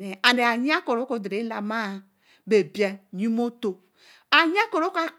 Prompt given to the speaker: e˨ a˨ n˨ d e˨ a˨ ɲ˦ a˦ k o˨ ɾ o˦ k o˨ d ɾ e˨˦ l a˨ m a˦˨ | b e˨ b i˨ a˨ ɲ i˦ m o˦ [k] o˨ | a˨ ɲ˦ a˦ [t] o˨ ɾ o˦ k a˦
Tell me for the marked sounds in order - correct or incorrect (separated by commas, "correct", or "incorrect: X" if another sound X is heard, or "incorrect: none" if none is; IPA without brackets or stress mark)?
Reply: incorrect: t, incorrect: k